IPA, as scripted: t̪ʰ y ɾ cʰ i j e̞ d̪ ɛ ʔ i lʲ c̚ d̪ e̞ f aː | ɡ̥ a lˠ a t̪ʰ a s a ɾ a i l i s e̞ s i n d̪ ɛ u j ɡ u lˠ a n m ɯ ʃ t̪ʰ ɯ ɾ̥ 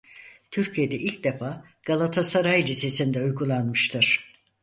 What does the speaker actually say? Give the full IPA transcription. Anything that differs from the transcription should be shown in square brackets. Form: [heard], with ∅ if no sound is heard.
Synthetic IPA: t̪ʰ y ɾ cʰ i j e̞ d̪ ɛ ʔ i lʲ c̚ d̪ e̞ f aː | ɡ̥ a lˠ a t̪ʰ a s a ɾ a [j] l i s e̞ s i n d̪ ɛ u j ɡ u lˠ a n m ɯ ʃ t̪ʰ ɯ ɾ̥